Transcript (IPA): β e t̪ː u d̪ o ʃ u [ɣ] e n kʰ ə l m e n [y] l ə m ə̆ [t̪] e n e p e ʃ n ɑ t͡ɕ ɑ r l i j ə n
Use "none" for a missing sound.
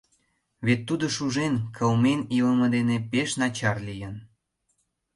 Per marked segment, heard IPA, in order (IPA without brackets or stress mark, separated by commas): ʒ, i, d̪